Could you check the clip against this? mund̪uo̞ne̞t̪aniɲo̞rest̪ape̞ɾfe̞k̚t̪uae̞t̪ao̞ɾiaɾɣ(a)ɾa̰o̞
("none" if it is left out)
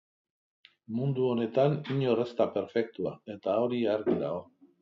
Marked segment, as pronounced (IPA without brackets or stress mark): i